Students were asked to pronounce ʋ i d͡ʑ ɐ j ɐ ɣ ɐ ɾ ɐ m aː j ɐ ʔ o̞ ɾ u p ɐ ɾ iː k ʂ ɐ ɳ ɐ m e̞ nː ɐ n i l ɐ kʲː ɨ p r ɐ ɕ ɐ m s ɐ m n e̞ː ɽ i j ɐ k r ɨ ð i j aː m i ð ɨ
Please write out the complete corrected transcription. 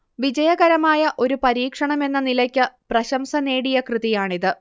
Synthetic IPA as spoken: ʋ i d͡ʑ ɐ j ɐ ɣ ɐ ɾ ɐ m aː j ɐ ʔ o̞ ɾ u p ɐ ɾ iː k ʂ ɐ ɳ ɐ m e̞ nː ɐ n i l ɐ kʲː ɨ p r ɐ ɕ ɐ m s ɐ n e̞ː ɽ i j ɐ k r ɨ ð i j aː ɳ i ð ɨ